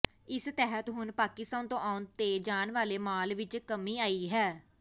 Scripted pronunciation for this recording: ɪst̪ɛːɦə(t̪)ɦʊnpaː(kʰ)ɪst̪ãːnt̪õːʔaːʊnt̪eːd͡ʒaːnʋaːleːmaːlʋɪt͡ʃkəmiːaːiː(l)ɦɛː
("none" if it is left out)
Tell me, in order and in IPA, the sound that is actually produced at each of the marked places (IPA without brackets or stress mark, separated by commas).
t̪, k, none